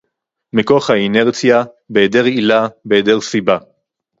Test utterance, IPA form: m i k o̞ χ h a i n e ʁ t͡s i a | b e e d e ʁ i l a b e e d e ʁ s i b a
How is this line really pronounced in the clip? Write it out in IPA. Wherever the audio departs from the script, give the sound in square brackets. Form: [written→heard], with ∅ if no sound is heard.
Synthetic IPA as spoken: m i k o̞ χ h a i n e ʁ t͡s [i→j] a | b e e d e ʁ i l a b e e d e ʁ s i b a